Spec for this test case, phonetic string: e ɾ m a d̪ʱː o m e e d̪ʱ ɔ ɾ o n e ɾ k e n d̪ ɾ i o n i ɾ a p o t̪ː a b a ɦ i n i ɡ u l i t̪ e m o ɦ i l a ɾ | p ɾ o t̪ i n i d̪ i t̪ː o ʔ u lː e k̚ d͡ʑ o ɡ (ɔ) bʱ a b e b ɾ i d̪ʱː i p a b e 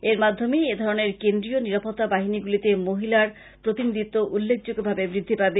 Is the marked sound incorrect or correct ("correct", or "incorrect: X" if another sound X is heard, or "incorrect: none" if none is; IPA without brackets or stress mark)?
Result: incorrect: o